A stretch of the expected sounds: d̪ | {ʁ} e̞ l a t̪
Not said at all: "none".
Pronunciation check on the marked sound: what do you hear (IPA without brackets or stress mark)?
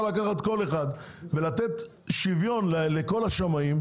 v